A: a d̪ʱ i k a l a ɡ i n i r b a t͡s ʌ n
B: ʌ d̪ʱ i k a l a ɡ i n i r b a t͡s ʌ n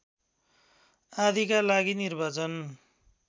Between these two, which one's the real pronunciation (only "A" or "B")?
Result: A